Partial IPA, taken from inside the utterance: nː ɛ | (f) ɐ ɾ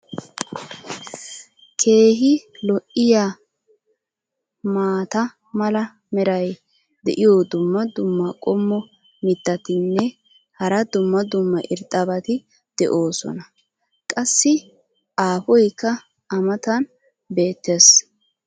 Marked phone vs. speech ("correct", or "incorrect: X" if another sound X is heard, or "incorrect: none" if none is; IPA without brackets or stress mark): incorrect: h